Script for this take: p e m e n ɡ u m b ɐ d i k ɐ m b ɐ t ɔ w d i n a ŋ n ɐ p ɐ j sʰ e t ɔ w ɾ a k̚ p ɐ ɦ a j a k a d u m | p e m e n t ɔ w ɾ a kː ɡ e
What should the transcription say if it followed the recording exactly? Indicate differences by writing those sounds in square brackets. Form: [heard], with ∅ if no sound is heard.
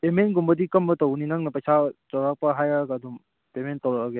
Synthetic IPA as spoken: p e m e n ɡ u m b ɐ d i k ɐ m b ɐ t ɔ w [n] i n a ŋ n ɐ p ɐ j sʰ [a] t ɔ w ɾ a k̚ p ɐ ɦ a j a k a d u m | p e m e n t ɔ w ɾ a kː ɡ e